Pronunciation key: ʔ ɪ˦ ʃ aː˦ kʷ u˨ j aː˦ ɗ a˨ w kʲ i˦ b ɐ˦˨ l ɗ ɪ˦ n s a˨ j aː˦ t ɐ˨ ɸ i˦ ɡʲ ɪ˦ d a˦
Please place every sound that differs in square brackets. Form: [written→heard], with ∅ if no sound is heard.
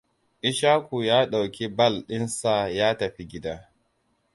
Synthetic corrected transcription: ʔ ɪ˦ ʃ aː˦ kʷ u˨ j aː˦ ɗ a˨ w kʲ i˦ b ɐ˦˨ l ɗ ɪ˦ n s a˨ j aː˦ t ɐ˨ ɸ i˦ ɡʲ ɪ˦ d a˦